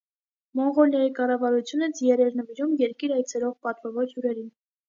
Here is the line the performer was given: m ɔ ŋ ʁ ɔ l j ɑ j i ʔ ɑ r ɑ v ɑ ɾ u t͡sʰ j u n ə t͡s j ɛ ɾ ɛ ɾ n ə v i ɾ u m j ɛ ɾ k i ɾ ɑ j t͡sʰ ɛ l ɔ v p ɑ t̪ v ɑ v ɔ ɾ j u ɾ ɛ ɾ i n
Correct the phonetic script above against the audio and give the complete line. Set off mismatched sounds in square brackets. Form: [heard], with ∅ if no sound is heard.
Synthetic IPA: m ɔ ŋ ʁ ɔ l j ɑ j i [k] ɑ r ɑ v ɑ ɾ u t͡sʰ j u n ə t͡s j ɛ ɾ ɛ ɾ n ə v i ɾ u m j ɛ ɾ k i ɾ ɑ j t͡sʰ ɛ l ɔ [ʁ] p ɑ t̪ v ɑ v ɔ ɾ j u ɾ ɛ ɾ i n